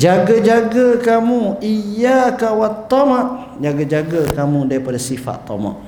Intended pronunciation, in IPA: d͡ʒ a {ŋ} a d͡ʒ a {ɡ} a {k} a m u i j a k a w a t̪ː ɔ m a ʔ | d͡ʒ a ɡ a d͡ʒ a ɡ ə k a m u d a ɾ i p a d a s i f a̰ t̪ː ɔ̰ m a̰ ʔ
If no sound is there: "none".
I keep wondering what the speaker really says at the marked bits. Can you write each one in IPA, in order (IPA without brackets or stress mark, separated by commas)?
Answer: ɡ, ɡ, k